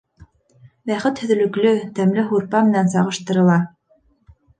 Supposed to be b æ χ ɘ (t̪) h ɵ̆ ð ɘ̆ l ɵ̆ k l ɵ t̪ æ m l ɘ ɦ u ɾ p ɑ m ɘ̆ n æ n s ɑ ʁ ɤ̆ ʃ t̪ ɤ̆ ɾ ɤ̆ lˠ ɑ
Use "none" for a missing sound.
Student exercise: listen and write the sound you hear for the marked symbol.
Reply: t̪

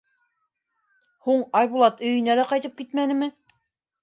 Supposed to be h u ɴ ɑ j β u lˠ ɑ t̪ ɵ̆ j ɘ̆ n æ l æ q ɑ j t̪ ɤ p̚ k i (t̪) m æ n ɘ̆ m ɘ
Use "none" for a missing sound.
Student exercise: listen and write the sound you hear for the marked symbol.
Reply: t̪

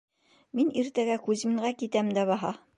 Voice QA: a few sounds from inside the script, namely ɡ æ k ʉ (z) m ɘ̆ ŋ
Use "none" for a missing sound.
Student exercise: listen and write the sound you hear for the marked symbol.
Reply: z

